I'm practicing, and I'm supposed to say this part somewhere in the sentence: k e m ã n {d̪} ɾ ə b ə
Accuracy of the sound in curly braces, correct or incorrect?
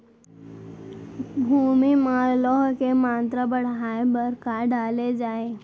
incorrect: t̪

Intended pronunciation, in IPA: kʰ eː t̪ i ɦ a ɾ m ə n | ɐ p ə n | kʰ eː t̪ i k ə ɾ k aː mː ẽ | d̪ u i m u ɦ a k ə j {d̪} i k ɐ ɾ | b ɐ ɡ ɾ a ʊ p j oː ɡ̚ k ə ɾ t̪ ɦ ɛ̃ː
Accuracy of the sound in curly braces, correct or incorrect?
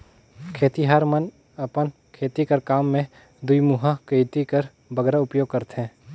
incorrect: t̪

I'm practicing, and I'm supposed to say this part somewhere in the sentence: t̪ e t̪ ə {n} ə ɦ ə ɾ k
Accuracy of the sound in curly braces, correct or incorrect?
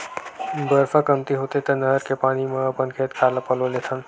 correct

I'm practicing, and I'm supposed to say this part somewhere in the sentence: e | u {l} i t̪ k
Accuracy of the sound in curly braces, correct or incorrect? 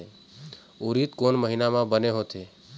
incorrect: ɾ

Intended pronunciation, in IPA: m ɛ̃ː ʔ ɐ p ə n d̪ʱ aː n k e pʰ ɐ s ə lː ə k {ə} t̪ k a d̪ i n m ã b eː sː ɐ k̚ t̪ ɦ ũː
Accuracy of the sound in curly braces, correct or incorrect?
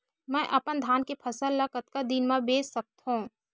correct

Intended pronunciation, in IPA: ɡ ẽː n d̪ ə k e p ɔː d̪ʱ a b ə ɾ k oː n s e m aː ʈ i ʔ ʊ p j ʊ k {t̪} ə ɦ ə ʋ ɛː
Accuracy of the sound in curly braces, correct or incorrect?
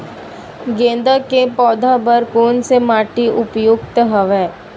correct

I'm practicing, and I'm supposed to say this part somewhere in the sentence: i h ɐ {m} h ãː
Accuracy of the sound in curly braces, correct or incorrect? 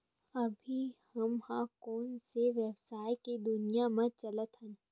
correct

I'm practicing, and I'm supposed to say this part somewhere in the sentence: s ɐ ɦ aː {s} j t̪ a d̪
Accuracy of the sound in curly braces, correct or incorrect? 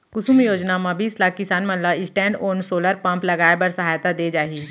incorrect: none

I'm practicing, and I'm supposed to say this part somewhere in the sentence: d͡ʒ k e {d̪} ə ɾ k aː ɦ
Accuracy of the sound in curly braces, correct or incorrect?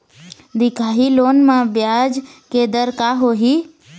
correct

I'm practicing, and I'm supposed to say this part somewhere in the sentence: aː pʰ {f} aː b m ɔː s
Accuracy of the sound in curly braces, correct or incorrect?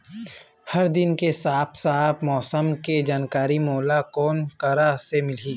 incorrect: s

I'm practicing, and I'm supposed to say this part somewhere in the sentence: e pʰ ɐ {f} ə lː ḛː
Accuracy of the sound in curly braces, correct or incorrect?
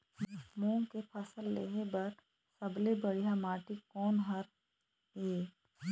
incorrect: s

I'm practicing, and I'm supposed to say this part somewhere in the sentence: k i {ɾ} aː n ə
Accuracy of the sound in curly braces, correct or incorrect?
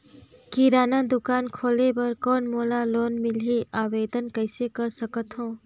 correct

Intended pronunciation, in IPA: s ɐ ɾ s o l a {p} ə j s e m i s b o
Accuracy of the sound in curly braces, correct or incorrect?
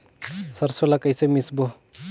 incorrect: k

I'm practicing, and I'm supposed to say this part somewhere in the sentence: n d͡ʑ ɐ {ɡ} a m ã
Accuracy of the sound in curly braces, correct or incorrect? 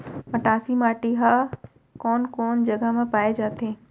correct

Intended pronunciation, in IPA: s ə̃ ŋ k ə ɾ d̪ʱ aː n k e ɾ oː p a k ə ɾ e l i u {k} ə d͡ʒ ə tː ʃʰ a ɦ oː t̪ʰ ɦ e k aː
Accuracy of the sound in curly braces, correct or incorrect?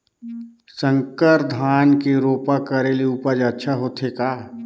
incorrect: p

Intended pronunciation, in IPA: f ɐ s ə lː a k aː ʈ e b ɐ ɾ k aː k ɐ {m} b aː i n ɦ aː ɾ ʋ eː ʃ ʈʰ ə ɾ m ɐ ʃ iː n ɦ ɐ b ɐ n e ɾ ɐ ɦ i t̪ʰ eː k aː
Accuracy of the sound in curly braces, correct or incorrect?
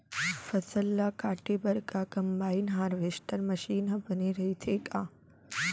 correct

